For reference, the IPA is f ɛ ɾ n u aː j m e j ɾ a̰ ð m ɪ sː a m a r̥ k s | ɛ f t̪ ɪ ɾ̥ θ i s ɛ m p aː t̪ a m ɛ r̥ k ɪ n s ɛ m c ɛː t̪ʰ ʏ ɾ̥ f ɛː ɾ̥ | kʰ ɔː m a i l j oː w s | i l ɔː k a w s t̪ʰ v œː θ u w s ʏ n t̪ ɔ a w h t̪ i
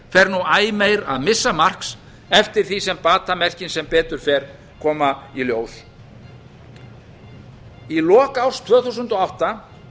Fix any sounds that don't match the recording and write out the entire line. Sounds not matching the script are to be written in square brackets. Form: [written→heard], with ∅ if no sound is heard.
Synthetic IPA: f ɛ ɾ n u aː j m e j ɾ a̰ ð m ɪ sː a m a r̥ k s | ɛ f t̪ ɪ ɾ̥ θ i s ɛ m p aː t̪ a m ɛ r̥ [k→c] ɪ n s ɛ m [c→p] ɛː [t̪ʰ→t̪] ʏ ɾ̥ f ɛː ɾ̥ | kʰ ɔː m a i l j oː w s | i l ɔː k a w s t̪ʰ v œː θ u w s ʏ n t̪ ɔ a w h t̪ [i→a]